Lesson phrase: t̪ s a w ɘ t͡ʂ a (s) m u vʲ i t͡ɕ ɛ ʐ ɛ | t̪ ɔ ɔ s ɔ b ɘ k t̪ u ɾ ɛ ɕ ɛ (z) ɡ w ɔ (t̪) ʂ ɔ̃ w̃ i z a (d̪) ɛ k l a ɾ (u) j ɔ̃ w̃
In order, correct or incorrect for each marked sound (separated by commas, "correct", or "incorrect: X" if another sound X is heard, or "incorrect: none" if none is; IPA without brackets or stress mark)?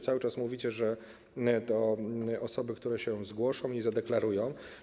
correct, correct, incorrect: none, correct, correct